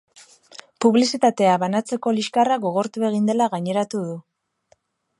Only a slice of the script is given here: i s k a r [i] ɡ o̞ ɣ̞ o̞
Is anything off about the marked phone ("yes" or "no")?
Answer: yes